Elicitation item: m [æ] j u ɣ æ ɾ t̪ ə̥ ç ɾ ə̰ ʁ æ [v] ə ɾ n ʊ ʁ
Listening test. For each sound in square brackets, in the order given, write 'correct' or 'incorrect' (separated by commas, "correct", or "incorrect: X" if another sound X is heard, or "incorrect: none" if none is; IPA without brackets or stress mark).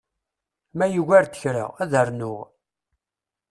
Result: correct, incorrect: ð